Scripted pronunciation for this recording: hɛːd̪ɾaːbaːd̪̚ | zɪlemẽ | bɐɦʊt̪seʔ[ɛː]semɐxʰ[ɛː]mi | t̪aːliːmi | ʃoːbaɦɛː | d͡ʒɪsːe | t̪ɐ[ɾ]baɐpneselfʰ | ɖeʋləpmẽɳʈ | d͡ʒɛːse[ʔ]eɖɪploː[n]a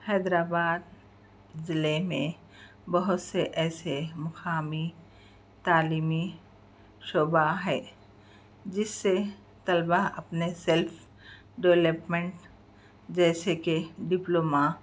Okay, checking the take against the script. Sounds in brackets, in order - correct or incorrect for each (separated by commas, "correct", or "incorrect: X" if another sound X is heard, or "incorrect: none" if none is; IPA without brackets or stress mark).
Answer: correct, incorrect: aː, incorrect: l, incorrect: k, incorrect: m